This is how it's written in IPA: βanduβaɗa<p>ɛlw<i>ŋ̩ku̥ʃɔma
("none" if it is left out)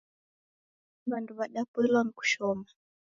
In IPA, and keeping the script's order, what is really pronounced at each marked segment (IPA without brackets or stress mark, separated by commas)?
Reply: p, a